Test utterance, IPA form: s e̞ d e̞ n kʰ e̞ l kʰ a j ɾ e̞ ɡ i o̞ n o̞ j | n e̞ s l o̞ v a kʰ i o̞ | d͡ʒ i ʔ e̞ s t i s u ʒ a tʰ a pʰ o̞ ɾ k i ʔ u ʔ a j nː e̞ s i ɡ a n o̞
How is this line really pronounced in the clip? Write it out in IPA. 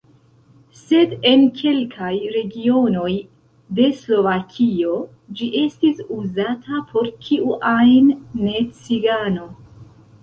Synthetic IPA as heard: s e̞ d e̞ n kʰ e̞ l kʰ a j ɾ e̞ ɡ i o̞ n o̞ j | d e̞ s l o̞ v a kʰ i o̞ | d͡ʒ i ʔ e̞ s t i s u z a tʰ a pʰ o̞ ɾ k i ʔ u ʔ a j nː e̞ t͡s i ɡ a n o̞

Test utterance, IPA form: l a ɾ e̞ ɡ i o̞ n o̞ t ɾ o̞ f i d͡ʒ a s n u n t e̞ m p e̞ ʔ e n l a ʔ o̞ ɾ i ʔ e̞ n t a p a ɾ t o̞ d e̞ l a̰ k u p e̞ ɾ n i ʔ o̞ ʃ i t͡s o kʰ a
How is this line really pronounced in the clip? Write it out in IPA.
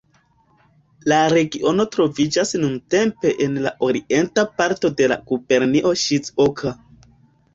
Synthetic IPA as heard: l a ɾ e̞ ɡ i o̞ n o̞ t ɾ o̞ v i d͡ʒ a s n u n t e̞ m p e̞ ʔ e n l a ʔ o̞ ɾ i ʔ e̞ n t a p a ɾ t o̞ d e̞ l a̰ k u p e̞ ɾ n i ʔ o̞ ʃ i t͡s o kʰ a

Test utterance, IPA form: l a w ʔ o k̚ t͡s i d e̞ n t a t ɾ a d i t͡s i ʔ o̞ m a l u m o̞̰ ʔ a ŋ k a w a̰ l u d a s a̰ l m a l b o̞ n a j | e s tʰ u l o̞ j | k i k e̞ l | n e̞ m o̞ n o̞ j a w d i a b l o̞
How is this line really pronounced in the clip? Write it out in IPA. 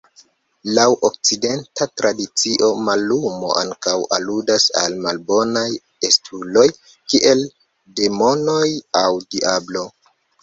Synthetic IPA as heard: l a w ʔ o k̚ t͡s i d e̞ n t a t ɾ a d i t͡s i ʔ o̞ m a l u m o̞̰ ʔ a ŋ k a w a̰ l u d a s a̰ l m a l b o̞ n a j | e s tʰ u l o̞ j | k i ʔ e̞ l | d e̞ m o̞ n o̞ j a w d i a b l o̞

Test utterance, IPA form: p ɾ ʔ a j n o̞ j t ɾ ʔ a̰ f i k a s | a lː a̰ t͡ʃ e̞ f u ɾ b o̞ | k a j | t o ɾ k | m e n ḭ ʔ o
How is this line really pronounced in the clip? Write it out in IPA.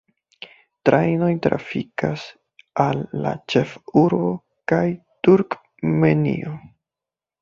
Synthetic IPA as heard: t ɾ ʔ a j n o̞ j t ɾ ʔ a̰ f i k a s | a lː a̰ t͡ʃ e̞ f u ɾ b o̞ | k a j | t u ɾ k | m e n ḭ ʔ o

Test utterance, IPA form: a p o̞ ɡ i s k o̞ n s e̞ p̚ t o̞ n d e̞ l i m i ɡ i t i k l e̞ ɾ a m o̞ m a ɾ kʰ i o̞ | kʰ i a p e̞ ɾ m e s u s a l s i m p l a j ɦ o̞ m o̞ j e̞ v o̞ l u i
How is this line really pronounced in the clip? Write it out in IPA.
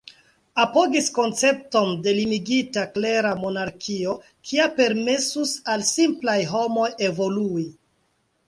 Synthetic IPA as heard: a p o̞ ɡ i s k o̞ n t͡s e̞ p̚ t o̞ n d e̞ l i m i ɡ i t a k l e̞ ɾ a m o̞ n a ɾ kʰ i o̞ | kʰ i a p e̞ ɾ m e s u s a l s i m p l a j ɦ o̞ m o̞ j e̞ v o̞ l u i

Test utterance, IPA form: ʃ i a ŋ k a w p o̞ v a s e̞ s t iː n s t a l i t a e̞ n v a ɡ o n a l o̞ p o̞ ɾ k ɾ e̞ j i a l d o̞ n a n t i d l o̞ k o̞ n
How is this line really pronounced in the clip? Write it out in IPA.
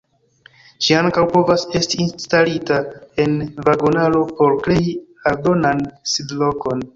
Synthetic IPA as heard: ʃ i a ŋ k a w p o̞ v a s e̞ s t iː n s t a l i t a e̞ n v a ɡ o n a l o̞ p o̞ ɾ k ɾ e̞ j i a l d o̞ n a n s i d l o̞ k o̞ n

